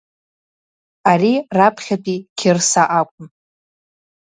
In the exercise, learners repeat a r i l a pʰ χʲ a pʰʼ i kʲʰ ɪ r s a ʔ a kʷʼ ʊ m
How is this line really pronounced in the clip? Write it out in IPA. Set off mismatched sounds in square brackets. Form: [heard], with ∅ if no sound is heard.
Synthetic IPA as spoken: a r i [r] a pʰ χʲ a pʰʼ i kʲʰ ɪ r s a ʔ a kʷʼ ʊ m